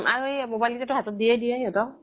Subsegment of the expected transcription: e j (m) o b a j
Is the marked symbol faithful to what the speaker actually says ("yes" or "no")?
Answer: yes